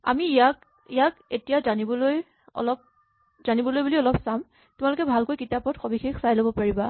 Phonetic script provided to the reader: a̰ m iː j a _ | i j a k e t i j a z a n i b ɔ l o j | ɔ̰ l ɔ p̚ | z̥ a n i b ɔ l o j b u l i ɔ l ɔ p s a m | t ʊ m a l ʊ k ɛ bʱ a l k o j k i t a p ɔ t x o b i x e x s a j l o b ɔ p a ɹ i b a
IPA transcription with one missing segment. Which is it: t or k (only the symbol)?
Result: k